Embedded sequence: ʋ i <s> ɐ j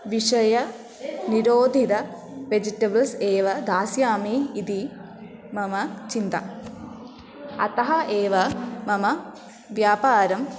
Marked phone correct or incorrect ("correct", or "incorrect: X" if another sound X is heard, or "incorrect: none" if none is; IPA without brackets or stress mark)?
incorrect: ʂ